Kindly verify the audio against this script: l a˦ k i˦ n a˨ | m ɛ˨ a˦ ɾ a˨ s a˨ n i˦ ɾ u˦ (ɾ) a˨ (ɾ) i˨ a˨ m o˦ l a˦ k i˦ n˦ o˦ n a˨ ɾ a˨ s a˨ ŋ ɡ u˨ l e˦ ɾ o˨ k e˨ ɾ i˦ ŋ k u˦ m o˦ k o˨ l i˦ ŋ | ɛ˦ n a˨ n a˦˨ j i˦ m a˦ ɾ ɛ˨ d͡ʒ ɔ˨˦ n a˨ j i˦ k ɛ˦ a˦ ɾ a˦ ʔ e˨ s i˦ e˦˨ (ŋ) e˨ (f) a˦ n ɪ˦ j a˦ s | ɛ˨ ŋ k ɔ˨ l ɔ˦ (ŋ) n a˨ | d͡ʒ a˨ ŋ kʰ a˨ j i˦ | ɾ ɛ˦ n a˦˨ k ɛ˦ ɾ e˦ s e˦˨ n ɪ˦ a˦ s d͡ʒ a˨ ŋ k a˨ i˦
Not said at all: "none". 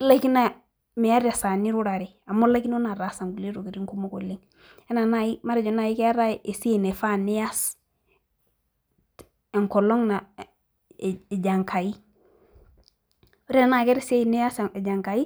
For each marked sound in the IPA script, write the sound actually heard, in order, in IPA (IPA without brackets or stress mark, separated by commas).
ɾ, ɾ, n, f, ŋ